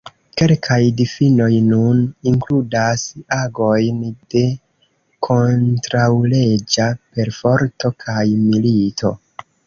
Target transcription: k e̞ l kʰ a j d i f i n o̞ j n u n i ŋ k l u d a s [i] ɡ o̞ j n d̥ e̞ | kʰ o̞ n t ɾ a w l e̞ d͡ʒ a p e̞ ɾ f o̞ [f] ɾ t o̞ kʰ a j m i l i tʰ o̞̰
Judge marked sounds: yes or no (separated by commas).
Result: no, no